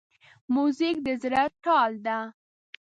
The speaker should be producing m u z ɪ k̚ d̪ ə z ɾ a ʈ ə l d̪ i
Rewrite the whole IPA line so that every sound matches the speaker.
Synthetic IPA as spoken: m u z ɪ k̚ d̪ ə z ɾ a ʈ ɑ l d̪ a